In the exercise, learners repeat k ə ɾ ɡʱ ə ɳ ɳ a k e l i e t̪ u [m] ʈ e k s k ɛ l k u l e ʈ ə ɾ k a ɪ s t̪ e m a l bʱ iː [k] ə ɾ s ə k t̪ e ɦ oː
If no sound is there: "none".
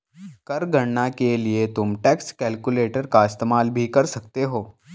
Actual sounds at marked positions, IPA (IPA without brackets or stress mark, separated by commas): m, k